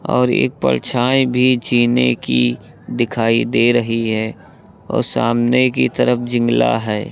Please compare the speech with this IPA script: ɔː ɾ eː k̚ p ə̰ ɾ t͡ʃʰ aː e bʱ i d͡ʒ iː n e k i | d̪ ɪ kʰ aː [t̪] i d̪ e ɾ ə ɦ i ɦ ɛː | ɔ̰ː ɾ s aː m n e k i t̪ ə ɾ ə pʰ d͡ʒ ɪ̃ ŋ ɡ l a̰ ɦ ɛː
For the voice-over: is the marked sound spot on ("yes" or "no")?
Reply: no